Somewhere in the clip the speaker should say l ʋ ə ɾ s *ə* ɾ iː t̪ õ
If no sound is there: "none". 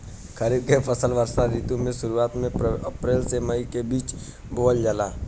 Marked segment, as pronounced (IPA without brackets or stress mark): a